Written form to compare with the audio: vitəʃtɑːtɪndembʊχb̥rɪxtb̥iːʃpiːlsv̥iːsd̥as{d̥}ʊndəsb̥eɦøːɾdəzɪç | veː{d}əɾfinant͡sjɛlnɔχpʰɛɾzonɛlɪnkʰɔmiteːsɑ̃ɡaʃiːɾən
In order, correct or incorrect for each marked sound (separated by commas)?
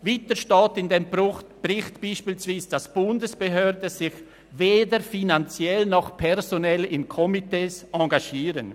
incorrect, correct